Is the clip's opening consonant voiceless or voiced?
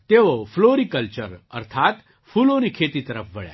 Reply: voiceless